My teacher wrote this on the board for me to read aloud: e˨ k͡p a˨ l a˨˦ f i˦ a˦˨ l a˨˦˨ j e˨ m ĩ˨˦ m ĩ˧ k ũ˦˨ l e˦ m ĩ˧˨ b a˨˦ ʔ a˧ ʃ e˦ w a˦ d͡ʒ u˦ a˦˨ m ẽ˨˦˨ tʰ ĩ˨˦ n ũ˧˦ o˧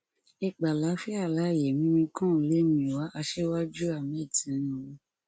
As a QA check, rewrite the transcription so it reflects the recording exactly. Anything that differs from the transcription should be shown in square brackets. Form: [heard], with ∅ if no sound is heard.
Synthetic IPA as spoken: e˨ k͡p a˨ l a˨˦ f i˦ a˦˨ l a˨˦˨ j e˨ m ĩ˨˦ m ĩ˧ k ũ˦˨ l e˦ m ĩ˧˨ [w] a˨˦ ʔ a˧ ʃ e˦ w a˦ d͡ʒ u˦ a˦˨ m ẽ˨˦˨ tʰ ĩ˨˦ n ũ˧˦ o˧